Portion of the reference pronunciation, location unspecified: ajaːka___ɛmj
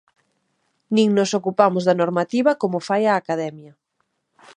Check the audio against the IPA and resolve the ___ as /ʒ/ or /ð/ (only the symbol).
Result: ð